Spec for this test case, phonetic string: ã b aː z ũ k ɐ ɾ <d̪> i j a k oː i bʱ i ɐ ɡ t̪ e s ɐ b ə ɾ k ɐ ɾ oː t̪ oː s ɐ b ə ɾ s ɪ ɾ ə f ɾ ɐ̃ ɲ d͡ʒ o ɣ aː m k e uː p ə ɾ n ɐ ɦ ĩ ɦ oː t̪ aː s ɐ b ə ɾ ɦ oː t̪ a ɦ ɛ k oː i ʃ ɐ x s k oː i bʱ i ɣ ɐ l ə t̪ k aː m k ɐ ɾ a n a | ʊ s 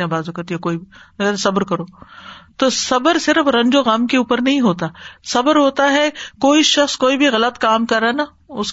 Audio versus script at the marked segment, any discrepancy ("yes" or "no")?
yes